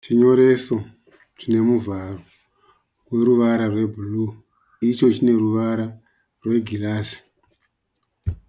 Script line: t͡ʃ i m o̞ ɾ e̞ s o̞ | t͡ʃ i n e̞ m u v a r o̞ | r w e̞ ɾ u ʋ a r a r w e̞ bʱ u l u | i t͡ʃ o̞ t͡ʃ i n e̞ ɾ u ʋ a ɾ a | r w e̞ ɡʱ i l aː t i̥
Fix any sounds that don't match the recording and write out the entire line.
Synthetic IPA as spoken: t͡ʃ i ɲ o̞ ɾ e̞ s o̞ | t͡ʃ i n e̞ m u v a r o̞ | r w e̞ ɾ u ʋ a ɾ a r w e̞ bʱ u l u | i t͡ʃ o̞ t͡ʃ i n e̞ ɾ u ʋ a ɾ a | r w e̞ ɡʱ i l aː s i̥